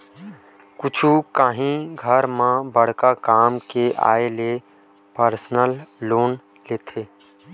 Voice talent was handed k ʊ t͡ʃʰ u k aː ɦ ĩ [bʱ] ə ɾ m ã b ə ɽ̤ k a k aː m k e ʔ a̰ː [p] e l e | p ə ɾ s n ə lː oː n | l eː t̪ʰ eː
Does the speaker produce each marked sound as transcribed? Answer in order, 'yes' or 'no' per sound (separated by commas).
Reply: no, no